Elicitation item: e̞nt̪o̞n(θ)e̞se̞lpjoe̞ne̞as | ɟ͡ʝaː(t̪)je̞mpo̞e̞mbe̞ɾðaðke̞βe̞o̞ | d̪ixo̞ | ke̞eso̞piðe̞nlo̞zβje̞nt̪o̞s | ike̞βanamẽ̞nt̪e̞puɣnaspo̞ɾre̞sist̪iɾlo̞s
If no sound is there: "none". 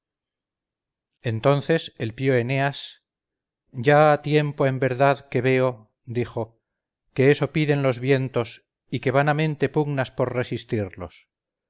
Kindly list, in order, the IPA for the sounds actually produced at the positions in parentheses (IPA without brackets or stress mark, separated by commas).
θ, t̪